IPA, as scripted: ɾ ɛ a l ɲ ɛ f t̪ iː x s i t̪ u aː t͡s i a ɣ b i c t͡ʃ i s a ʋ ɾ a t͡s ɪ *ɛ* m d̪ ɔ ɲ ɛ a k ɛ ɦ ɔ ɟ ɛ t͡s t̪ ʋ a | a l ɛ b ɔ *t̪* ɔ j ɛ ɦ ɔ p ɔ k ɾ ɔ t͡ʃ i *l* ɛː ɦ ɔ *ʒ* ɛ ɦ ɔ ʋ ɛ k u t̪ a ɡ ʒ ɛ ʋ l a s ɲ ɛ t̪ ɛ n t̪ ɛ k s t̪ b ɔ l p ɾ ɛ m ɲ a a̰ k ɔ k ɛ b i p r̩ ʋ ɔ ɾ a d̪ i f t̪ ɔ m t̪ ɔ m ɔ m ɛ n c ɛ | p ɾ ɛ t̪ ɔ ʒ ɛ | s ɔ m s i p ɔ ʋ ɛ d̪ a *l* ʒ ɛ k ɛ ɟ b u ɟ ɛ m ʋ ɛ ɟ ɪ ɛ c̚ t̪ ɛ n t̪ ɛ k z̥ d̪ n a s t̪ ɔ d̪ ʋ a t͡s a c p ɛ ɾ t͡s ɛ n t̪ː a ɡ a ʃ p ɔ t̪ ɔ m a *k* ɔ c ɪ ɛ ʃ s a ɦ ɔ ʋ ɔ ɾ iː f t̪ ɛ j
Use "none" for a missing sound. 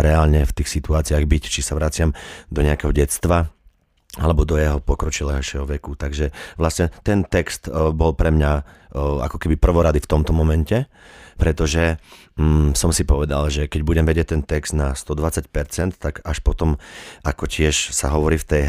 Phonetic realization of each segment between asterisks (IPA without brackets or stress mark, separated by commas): a, d̪, l, ʃ, l, k